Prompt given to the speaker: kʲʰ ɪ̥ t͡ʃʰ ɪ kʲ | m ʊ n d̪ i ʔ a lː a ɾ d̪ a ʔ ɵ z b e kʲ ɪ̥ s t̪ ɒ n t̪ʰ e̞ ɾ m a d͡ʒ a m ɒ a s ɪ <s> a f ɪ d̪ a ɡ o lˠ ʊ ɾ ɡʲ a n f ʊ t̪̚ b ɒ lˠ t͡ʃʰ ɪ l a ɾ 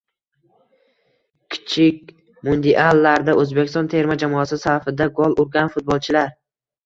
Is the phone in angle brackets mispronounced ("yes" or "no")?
no